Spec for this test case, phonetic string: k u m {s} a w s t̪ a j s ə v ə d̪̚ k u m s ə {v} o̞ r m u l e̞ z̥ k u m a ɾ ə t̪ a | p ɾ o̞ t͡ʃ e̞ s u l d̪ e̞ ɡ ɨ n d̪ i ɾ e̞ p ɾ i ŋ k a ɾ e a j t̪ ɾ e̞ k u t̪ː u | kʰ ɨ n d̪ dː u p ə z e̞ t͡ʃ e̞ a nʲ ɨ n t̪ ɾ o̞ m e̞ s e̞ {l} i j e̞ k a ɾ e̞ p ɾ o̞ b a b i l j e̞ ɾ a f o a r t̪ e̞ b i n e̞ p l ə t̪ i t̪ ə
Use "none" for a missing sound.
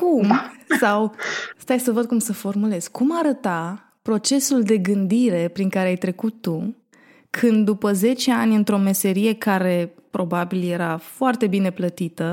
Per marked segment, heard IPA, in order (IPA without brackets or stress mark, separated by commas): s, f, ɾ